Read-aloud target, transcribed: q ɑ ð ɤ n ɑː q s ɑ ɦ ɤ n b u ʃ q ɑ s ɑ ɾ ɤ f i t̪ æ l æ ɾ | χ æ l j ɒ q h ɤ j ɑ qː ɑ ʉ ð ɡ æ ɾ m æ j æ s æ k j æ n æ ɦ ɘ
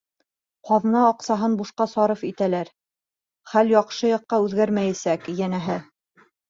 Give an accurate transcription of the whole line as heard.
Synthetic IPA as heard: q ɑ ð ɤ n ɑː q s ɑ ɦ ɤ n b u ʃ q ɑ s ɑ ɾ ɤ f i t̪ æ l æ ɾ | χ æ l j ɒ q ʃ ɤ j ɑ qː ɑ ʉ ð ɡ æ ɾ m æ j æ s æ k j æ n æ ɦ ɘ